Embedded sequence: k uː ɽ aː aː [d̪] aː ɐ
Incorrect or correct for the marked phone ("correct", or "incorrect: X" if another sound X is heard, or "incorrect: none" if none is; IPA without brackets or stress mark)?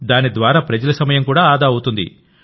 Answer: correct